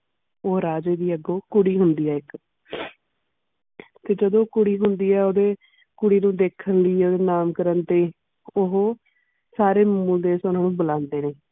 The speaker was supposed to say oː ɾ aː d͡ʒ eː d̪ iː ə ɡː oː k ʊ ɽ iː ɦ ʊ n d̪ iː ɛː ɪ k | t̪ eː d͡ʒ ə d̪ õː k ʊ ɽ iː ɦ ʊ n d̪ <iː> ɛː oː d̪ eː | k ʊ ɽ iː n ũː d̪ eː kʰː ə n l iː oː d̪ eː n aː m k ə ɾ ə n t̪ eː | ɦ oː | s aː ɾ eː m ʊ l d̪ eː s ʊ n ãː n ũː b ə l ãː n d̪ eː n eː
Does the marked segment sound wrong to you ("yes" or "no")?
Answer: no